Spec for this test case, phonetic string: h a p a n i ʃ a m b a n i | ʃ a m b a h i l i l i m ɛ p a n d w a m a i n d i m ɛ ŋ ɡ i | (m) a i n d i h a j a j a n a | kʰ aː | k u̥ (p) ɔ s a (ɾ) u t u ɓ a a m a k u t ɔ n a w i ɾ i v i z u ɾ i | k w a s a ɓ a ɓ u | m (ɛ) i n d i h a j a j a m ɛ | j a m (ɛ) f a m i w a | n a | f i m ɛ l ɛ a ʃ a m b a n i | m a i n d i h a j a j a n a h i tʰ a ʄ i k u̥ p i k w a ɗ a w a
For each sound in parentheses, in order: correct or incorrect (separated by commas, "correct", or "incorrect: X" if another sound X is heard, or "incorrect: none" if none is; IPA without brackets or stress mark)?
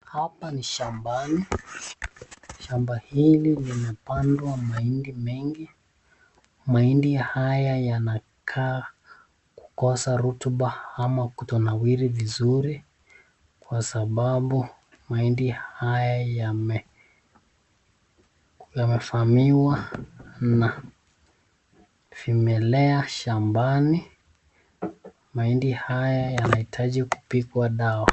correct, incorrect: k, correct, incorrect: a, correct